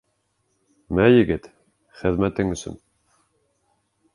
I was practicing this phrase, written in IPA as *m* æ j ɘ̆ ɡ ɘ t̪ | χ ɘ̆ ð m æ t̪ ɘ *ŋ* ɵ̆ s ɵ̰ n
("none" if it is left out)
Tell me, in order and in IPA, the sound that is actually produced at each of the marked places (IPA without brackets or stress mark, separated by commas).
m, ŋ